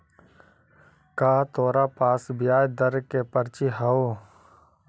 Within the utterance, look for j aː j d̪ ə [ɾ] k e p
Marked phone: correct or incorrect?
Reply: correct